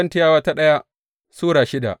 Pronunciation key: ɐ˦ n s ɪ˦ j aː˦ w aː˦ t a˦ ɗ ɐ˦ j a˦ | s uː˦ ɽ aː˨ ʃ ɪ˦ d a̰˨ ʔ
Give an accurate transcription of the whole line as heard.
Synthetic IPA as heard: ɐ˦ n t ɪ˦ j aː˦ w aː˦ t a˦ ɗ ɐ˦ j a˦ | s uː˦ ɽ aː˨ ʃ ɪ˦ d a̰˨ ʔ